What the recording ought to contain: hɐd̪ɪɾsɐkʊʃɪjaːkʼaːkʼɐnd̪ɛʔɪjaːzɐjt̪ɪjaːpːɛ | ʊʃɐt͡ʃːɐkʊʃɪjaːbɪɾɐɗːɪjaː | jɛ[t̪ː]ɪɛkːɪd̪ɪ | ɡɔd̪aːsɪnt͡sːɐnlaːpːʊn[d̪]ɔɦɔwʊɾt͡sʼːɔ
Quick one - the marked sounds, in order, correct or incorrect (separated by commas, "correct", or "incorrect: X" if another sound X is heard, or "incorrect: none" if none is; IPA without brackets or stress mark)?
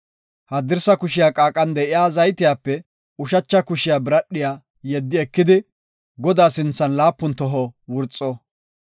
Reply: incorrect: d̪ː, incorrect: t̪